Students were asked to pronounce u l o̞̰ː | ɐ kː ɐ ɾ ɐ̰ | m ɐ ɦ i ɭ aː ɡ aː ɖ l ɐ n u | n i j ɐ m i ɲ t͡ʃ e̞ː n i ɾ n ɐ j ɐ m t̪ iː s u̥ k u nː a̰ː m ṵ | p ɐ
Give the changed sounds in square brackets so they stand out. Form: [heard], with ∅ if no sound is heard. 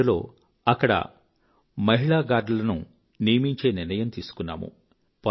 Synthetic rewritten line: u l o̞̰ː | ɐ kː ɐ [ɽ] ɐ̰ | m ɐ ɦ i ɭ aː ɡ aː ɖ l ɐ n u | n i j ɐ m i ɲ t͡ʃ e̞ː n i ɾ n ɐ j ɐ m t̪ iː s u̥ k u nː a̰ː m ṵ | p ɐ